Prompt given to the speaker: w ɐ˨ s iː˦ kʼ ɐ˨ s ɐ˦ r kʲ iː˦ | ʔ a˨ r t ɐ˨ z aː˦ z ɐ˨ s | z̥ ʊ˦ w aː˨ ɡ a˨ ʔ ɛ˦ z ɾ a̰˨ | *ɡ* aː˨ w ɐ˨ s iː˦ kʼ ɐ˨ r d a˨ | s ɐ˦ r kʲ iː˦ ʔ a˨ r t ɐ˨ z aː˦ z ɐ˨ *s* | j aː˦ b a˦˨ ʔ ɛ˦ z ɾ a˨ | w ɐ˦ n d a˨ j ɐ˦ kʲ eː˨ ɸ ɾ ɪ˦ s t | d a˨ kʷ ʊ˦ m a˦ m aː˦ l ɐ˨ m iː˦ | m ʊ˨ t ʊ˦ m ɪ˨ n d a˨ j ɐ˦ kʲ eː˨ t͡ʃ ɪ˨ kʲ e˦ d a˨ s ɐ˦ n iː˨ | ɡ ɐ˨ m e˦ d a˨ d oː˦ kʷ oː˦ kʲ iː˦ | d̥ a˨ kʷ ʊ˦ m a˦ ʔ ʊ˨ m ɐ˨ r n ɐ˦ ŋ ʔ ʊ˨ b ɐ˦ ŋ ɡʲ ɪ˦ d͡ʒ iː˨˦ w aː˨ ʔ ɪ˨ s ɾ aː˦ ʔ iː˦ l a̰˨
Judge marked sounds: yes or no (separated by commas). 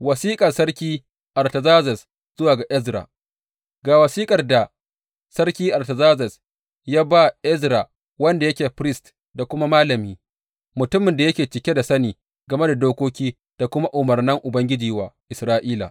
yes, yes